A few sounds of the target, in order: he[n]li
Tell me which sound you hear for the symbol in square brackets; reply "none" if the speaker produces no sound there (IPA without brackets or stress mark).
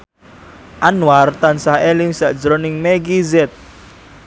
none